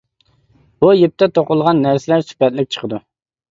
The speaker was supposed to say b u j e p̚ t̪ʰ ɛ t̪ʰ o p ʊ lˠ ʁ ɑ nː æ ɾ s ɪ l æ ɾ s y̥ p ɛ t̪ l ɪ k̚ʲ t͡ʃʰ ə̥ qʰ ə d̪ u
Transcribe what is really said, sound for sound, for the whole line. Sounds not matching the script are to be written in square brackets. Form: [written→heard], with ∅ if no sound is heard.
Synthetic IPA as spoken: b u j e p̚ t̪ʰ ɛ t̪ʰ o [p→q] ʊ lˠ ʁ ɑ nː æ ɾ s ɪ l æ ɾ s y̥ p ɛ t̪ l ɪ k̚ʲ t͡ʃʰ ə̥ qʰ ə d̪ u

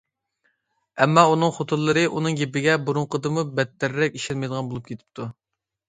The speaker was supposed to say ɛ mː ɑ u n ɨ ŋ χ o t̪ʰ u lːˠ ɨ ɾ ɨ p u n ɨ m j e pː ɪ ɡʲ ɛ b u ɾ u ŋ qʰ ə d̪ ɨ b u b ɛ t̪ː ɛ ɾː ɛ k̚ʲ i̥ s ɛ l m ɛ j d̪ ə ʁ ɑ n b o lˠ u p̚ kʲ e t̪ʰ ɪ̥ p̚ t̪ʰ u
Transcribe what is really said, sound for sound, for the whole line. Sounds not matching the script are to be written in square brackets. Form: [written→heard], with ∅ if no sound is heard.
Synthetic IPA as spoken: ɛ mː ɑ u n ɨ ŋ χ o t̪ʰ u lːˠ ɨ ɾ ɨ [p→ʔ] u n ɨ [m→ŋ] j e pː ɪ ɡʲ ɛ b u ɾ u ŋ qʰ ə d̪ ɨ [b→m] u b ɛ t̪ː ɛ ɾː ɛ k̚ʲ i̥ [s→ʃ] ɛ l m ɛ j d̪ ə ʁ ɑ n b o lˠ u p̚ kʲ e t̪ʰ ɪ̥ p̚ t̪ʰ u

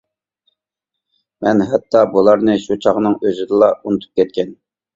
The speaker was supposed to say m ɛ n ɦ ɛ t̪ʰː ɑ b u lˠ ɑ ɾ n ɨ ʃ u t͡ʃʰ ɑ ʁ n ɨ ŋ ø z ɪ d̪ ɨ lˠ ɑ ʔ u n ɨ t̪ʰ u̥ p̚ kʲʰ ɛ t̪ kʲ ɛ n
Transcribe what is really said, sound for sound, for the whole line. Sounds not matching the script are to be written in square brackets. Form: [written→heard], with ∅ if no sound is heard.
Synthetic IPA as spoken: m ɛ n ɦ ɛ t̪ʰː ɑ b u lˠ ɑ ɾ n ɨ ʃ u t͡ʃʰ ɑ ʁ n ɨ ŋ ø z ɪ d̪ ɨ lˠ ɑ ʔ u n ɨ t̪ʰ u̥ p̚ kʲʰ ɛ t̪ kʲ ɛ n

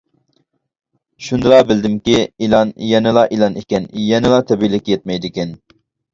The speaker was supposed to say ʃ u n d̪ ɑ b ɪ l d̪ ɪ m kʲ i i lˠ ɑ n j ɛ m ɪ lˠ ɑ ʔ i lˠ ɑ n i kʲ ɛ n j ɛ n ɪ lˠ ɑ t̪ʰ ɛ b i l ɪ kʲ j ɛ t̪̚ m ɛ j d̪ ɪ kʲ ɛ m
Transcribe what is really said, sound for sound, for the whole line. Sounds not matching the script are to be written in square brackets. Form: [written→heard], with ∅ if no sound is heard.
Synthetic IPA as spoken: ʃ u n d̪ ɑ b ɪ l d̪ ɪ m kʲ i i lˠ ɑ n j ɛ [m→n] ɪ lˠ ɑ ʔ i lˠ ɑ n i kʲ ɛ n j ɛ n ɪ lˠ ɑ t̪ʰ ɛ b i l ɪ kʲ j ɛ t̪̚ m ɛ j d̪ ɪ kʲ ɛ [m→n]

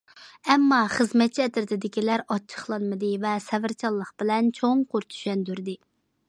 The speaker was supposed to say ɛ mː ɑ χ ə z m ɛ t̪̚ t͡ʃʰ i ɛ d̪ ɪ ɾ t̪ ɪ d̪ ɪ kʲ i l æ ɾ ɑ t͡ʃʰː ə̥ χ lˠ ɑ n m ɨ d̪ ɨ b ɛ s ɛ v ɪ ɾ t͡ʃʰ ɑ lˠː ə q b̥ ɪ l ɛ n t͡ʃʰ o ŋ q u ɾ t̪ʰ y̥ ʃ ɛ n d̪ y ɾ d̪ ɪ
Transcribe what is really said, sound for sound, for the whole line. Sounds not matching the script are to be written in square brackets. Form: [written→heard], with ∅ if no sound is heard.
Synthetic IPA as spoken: ɛ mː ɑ χ ə z m ɛ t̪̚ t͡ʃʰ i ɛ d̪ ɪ ɾ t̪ ɪ d̪ ɪ kʲ i l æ ɾ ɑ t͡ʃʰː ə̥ χ lˠ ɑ n m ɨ d̪ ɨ [b→v] ɛ s ɛ v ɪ ɾ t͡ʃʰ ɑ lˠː ə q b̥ ɪ l ɛ n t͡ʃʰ o ŋ q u ɾ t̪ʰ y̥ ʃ ɛ n d̪ y ɾ d̪ ɪ

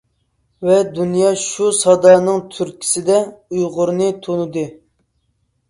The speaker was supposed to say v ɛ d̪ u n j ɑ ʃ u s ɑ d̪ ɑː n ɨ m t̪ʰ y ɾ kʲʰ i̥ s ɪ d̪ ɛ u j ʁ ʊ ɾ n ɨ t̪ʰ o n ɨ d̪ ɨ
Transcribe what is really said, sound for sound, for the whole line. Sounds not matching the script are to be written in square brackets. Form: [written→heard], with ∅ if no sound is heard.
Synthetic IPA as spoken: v ɛ d̪ u n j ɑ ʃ u s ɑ d̪ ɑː n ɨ [m→ŋ] t̪ʰ y ɾ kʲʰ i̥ s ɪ d̪ ɛ u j ʁ ʊ ɾ n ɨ t̪ʰ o n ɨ d̪ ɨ

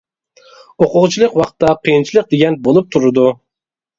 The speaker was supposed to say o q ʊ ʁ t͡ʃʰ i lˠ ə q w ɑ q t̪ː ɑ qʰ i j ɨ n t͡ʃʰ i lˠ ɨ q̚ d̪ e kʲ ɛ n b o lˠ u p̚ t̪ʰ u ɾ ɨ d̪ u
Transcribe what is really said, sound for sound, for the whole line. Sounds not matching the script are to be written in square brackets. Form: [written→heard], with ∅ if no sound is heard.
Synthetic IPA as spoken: o q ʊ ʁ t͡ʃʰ i lˠ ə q w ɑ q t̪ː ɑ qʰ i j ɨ n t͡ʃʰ i lˠ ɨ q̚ d̪ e [kʲ→ɡʲ] ɛ n b o lˠ u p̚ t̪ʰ u ɾ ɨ d̪ u

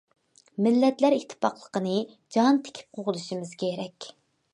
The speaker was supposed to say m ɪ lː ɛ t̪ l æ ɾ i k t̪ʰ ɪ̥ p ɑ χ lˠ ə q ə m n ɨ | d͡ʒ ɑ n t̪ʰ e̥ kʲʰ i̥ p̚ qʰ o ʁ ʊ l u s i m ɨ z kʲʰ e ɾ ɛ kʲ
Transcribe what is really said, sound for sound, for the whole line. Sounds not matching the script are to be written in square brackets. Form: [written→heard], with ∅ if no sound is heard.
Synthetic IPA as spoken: m ɪ lː ɛ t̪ l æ ɾ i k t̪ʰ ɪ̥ p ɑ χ lˠ ə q ə [m→∅] n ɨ | d͡ʒ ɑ n t̪ʰ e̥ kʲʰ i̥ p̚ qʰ o ʁ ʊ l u [s→ʃ] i m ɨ z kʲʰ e ɾ ɛ kʲ

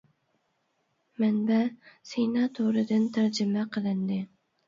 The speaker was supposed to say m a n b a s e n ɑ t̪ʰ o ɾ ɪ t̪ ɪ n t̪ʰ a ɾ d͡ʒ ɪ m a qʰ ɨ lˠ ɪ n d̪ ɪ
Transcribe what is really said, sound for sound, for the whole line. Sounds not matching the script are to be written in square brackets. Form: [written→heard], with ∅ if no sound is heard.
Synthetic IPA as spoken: m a n b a s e n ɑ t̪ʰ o ɾ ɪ [t̪→d̪] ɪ n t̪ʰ a ɾ d͡ʒ ɪ m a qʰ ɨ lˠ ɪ n d̪ ɪ

